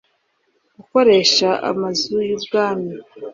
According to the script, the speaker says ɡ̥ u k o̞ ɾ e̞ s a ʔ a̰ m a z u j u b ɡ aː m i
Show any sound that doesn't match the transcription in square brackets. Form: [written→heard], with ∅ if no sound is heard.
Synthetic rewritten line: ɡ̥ u k o̞ ɾ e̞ [s→ʃ] a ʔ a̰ m a z u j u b ɡ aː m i